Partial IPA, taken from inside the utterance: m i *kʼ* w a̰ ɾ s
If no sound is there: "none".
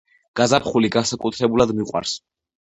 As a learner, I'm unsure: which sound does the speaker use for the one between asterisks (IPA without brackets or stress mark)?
qʼ